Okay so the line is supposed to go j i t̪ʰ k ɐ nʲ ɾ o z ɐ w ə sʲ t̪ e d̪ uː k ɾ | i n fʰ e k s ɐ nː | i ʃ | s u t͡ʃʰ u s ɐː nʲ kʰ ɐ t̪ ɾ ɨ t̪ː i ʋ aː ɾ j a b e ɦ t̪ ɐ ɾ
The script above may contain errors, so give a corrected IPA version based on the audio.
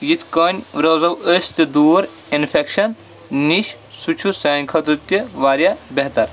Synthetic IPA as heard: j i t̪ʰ k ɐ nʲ ɾ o z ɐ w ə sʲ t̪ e d̪ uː ɾ | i n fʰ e k ʃ ɐ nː | i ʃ | s u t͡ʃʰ u s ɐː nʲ kʰ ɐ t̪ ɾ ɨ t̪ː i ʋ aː ɾ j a b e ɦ t̪ ɐ ɾ